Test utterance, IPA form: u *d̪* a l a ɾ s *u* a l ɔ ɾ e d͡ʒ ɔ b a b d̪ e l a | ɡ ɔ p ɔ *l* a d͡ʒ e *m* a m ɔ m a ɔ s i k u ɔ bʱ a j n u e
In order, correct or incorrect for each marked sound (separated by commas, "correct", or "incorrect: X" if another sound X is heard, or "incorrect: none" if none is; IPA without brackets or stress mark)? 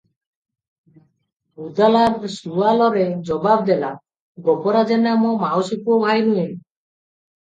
correct, correct, incorrect: ɾ, incorrect: n